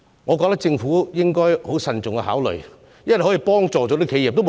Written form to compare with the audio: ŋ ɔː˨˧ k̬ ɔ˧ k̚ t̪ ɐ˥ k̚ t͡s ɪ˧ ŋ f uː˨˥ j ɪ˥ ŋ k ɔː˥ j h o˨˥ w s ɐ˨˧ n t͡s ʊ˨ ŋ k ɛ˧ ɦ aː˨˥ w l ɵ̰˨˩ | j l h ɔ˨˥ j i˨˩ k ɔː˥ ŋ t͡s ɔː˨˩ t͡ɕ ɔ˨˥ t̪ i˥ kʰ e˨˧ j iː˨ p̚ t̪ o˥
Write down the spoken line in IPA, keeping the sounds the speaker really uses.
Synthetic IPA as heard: ŋ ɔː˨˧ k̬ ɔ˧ k̚ t̪ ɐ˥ k̚ t͡s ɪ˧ ŋ f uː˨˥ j ɪ˥ ŋ k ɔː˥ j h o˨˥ w s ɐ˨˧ n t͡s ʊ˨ ŋ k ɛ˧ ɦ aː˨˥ w l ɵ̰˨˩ | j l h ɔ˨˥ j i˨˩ p ɔː˥ ŋ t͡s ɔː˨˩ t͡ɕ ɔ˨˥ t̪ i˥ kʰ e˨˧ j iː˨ p̚ t̪ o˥